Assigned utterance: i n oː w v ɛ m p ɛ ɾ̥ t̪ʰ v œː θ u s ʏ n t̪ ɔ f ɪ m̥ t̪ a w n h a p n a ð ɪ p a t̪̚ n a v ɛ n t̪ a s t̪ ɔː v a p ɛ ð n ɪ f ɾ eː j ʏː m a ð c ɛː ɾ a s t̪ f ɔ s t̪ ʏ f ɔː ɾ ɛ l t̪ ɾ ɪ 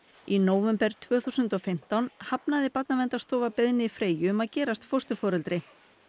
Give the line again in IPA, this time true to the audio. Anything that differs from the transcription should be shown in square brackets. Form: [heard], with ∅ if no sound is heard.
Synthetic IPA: i n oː w v ɛ m p ɛ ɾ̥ t̪ʰ v œː θ u s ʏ n t̪ ɔ f ɪ m̥ t̪ a w n h a p n a ð ɪ p a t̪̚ n a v ɛ n t̪ a s t̪ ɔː v a p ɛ ð n ɪ f ɾ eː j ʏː m a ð c ɛː ɾ a s t̪ f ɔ s t̪ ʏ f ɔː ɾ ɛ l t̪ ɾ ɪ